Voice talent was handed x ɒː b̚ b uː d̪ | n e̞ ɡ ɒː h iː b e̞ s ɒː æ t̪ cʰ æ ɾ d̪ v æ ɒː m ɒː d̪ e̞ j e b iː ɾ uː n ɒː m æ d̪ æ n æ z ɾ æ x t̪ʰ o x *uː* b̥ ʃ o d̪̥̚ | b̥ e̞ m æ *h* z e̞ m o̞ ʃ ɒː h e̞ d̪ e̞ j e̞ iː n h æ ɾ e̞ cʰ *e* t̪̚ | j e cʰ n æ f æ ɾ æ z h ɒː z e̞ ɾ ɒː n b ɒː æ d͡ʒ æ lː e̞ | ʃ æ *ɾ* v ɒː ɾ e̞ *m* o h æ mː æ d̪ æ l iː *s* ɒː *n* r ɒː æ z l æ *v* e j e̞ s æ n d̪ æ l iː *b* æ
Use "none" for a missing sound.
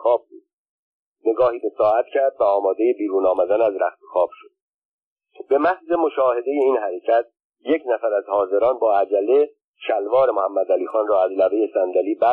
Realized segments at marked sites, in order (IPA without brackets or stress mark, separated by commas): ɒː, h, æ, l, m, x, n, v, b